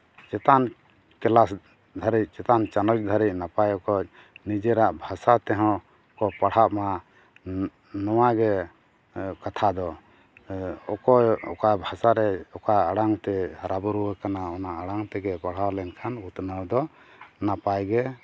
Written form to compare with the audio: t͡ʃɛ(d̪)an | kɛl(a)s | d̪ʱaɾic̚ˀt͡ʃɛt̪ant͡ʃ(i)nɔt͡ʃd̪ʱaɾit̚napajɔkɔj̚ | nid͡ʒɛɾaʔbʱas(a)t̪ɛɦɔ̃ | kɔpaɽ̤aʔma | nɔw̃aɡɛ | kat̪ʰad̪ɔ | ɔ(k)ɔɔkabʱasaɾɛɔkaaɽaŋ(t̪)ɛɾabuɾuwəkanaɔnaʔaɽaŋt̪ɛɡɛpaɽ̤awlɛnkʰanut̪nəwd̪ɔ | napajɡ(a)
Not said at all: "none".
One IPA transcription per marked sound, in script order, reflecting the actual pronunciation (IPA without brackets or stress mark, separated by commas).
t̪, a, a, a, k, t̪, ɛ